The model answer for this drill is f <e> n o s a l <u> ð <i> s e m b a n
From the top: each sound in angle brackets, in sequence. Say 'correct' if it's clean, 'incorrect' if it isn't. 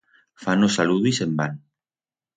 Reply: incorrect: a, correct, correct

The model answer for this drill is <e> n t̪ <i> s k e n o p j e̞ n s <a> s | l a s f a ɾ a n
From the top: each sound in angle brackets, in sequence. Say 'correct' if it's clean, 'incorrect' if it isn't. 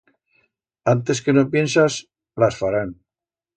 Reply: incorrect: a, incorrect: e, correct

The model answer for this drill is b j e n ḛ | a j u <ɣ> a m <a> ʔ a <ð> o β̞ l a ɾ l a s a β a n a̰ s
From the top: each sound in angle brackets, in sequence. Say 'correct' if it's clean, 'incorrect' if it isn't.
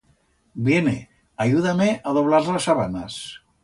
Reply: incorrect: ð, incorrect: e, correct

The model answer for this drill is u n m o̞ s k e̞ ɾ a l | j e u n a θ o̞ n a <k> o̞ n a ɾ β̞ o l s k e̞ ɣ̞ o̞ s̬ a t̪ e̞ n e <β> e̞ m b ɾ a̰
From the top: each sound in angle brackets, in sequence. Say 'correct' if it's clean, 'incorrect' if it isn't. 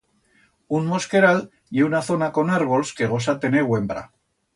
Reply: correct, incorrect: w

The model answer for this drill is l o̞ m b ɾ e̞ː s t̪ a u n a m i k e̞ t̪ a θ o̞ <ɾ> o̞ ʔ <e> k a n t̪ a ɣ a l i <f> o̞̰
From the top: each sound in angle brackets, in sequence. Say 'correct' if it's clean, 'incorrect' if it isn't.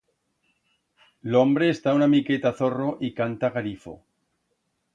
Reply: incorrect: r, incorrect: i, correct

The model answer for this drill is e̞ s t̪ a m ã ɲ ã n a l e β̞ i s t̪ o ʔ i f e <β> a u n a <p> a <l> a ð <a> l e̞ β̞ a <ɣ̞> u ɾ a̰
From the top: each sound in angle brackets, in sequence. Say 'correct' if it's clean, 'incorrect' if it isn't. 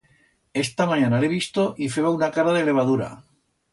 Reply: correct, incorrect: k, incorrect: ɾ, incorrect: e, incorrect: ð̞

